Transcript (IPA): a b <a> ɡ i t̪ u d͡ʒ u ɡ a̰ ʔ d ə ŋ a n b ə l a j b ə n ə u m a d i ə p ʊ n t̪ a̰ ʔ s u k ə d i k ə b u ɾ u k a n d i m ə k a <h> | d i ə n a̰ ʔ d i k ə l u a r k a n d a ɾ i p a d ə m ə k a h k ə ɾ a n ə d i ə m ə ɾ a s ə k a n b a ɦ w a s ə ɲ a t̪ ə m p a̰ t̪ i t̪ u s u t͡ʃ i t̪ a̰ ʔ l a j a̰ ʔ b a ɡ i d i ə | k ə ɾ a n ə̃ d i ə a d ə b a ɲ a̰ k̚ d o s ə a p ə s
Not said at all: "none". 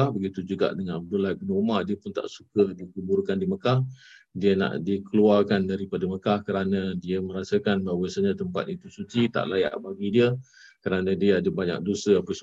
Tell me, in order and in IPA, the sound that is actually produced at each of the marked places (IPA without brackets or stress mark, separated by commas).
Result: ə, h